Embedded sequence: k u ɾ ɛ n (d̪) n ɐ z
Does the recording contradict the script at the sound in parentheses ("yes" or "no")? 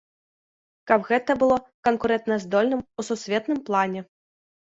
yes